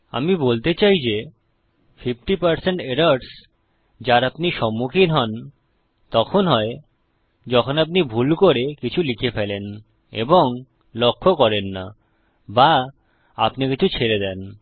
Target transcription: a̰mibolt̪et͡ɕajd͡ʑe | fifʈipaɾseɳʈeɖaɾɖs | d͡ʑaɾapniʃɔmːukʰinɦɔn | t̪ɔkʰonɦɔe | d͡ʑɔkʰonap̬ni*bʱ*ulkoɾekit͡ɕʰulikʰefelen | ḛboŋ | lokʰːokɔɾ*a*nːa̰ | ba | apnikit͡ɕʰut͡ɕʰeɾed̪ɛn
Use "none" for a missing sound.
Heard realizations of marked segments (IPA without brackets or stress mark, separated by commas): bʱ, e